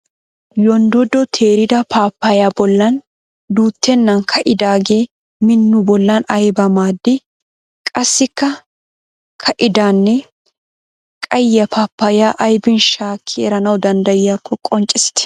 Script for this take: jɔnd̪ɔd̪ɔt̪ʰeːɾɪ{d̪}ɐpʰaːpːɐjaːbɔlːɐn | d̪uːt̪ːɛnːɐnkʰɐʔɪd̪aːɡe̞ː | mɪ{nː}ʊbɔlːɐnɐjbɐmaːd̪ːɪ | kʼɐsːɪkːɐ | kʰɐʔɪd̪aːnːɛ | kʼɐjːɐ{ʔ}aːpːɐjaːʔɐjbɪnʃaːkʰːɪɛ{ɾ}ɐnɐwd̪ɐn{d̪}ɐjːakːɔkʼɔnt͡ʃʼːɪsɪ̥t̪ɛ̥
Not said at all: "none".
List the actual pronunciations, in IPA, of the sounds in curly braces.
d̪, nː, p, ɾ, d̪

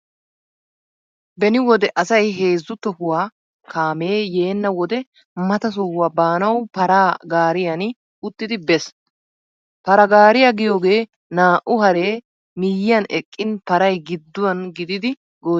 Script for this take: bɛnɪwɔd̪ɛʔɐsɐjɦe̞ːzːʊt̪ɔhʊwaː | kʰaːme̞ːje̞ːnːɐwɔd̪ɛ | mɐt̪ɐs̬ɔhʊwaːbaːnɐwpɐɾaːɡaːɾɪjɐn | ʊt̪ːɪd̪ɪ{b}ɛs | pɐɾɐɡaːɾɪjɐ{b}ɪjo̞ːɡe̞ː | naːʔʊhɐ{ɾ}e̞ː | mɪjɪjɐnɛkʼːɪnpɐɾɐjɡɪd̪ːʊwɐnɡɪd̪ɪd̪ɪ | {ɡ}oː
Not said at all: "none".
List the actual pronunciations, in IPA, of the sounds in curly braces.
b, ɡ, ɾ, ɡ

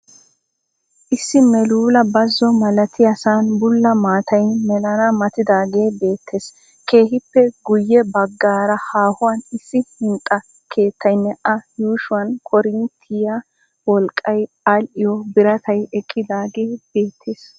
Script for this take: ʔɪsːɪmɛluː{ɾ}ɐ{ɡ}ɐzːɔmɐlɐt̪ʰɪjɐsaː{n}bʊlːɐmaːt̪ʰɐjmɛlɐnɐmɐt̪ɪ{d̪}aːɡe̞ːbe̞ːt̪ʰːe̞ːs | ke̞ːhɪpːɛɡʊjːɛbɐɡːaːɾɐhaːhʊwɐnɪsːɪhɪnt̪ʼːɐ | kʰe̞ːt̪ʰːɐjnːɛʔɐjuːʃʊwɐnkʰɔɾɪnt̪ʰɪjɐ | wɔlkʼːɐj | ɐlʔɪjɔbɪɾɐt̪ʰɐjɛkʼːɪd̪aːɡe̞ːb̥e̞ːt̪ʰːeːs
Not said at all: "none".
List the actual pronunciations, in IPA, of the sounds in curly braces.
l, b, n, d̪

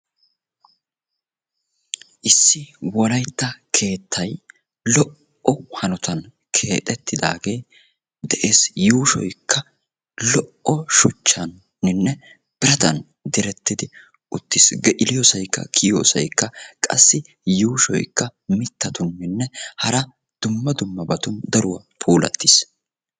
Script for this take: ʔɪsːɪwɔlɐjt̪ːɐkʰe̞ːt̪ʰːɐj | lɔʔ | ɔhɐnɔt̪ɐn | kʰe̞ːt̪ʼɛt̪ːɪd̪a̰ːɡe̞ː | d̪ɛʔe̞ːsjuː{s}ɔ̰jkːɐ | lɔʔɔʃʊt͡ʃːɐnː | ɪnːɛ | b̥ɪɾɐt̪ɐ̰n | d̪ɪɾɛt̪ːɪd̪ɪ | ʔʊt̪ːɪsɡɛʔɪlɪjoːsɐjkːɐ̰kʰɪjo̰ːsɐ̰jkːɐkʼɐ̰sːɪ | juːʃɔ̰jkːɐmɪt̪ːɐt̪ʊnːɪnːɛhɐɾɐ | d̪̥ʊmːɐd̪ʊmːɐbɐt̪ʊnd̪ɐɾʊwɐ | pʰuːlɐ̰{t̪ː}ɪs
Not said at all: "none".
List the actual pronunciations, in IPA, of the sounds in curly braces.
ʃ, t̪ː

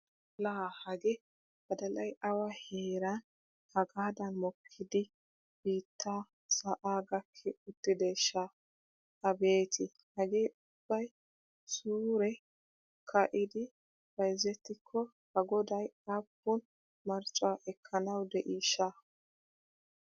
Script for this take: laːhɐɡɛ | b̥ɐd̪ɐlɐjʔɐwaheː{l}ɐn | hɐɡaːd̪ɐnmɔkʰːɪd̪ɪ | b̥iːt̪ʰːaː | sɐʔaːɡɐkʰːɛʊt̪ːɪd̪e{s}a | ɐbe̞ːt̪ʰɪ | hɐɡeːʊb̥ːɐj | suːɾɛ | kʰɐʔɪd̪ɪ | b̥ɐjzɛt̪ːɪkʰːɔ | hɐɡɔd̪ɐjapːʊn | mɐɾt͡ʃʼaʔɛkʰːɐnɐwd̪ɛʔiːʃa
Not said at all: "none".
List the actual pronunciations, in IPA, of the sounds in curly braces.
ɾ, ʃ

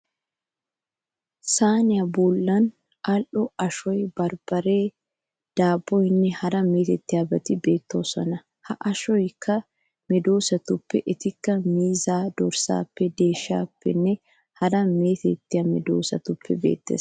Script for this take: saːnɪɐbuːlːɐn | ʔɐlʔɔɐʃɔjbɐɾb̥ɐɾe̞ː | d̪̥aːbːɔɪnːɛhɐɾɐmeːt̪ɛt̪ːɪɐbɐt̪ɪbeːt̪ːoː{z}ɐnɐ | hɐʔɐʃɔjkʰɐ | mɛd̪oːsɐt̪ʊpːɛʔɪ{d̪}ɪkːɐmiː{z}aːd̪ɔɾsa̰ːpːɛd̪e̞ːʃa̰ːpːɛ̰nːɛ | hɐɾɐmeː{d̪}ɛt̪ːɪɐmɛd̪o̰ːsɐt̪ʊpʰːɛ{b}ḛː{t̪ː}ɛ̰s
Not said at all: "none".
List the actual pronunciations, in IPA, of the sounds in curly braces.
s, t̪, z, t̪, b, t̪ː

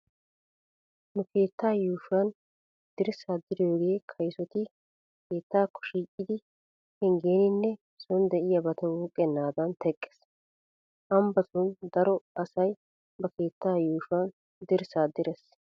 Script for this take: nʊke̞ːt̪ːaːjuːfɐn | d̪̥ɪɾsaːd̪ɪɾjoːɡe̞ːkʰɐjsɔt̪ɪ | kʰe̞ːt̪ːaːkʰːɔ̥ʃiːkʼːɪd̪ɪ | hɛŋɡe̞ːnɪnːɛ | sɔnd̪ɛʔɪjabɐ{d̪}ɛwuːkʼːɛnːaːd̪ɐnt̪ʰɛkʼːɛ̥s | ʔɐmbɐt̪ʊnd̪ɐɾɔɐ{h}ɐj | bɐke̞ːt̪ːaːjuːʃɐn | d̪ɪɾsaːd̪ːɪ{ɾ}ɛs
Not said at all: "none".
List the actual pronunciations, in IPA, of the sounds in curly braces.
t̪, s, ɾ

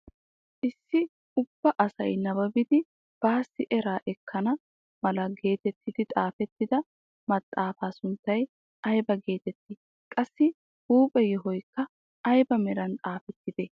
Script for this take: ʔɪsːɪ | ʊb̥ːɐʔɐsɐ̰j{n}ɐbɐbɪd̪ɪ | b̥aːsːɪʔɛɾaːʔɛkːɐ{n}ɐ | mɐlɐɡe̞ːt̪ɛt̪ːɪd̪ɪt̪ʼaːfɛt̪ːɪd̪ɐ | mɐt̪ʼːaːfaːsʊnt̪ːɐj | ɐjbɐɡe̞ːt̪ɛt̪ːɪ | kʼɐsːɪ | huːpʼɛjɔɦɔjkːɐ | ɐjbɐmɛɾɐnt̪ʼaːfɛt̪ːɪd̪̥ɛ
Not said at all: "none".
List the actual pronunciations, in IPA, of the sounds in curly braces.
n, n

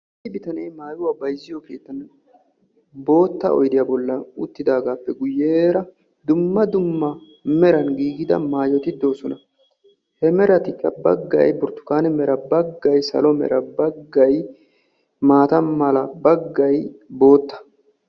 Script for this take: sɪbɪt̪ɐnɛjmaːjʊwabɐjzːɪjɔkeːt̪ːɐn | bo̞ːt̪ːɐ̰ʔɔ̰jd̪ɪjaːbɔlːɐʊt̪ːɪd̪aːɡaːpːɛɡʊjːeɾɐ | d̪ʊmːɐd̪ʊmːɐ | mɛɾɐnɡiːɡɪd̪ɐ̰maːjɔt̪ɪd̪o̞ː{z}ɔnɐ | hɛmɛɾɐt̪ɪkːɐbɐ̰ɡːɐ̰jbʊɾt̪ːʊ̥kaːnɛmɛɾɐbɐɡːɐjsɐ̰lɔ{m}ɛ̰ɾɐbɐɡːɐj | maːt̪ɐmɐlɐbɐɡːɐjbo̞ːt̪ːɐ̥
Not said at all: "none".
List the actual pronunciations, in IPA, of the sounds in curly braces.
s, m

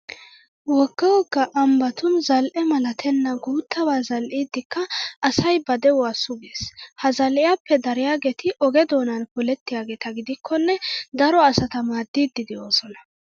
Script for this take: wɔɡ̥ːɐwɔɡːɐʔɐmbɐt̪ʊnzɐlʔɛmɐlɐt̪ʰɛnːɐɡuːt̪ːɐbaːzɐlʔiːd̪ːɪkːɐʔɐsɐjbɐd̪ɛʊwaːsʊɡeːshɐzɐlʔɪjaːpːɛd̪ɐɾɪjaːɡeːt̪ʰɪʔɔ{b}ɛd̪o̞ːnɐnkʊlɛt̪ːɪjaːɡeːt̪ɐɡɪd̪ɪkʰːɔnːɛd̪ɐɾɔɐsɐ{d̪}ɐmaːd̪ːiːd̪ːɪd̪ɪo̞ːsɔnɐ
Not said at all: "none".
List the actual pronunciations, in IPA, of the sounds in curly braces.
ɡ, t̪

